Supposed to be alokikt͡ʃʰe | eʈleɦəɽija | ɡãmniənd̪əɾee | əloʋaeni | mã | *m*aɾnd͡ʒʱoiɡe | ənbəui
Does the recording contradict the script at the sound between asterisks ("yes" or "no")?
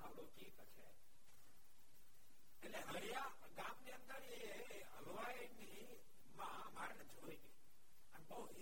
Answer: no